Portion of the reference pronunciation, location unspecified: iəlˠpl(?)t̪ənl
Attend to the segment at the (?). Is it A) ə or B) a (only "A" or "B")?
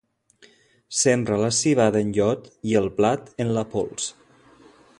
B